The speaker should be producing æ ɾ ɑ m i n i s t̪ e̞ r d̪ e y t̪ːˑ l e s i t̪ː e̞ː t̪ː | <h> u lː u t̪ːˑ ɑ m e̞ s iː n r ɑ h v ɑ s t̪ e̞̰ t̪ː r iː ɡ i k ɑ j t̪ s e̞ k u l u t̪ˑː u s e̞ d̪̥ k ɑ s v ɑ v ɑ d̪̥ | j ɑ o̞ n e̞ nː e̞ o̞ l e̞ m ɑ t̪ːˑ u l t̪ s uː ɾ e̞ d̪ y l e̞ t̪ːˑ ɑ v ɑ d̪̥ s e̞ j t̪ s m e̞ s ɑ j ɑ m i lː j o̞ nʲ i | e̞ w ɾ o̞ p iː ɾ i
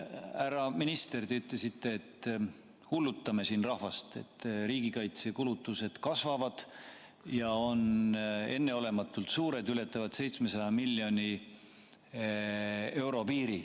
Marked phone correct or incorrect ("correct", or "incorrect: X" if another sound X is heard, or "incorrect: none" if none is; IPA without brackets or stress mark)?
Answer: correct